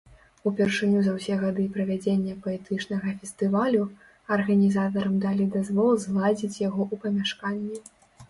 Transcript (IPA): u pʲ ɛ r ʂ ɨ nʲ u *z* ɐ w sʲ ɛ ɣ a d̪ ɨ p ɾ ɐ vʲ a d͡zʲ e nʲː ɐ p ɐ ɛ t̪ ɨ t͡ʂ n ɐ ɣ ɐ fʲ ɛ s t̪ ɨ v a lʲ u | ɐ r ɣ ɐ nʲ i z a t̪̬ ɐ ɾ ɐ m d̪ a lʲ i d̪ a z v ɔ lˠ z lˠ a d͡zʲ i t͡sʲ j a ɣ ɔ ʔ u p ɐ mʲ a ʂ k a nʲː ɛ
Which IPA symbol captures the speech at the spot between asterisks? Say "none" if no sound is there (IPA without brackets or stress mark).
z